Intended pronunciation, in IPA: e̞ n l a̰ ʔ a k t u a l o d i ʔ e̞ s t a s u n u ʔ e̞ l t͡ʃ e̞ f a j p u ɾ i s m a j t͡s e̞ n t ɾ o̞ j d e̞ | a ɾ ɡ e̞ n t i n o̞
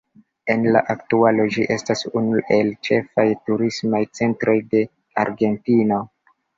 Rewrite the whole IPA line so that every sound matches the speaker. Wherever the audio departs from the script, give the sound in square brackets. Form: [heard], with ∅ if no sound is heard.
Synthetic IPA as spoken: e̞ n l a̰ ʔ a k t u a l o [d͡ʒ] i ʔ e̞ s t a s u n u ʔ e̞ l t͡ʃ e̞ f a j [t] u ɾ i s m a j t͡s e̞ n t ɾ o̞ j d e̞ | a ɾ ɡ e̞ n t i n o̞